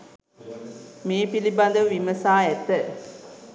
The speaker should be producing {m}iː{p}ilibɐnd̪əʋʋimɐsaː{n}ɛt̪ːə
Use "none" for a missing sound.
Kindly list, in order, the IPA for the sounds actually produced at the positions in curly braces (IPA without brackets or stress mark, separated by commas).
m, p, none